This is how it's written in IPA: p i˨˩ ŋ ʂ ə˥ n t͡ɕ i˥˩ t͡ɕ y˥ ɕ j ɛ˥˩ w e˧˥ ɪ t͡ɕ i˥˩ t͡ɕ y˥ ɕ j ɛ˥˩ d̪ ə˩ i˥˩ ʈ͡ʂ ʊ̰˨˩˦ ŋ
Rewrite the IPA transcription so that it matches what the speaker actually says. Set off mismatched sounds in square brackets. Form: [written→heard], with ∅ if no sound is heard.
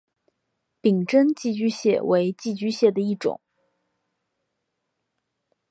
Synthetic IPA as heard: p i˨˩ ŋ [ʂ→ʈ͡ʂ] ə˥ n t͡ɕ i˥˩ t͡ɕ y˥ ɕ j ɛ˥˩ w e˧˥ ɪ t͡ɕ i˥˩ t͡ɕ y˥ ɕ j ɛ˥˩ d̪ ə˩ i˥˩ ʈ͡ʂ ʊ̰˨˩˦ ŋ